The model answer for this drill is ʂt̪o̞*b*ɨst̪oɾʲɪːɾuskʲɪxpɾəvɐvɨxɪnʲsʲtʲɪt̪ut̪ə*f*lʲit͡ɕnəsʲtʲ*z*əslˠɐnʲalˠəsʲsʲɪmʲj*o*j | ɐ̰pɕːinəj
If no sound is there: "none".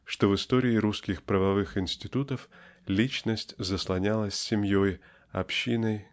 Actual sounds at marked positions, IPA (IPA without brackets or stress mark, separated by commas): v, f, z, o